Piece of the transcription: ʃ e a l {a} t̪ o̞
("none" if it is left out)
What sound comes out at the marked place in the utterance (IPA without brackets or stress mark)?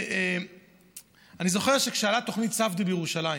a